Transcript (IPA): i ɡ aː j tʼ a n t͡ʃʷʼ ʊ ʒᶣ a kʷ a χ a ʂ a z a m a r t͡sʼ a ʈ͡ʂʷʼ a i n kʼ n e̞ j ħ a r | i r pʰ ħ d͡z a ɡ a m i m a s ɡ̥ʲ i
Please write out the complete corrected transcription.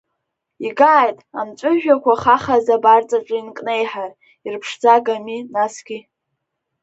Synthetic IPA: i ɡ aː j tʼ a m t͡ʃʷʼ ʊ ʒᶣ a kʷ a χ a χ a z a b a r t͡sʼ a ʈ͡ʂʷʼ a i n kʼ n e̞ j ħ a r | i r pʰ ʂ d͡z a ɡ a m i n a s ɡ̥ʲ i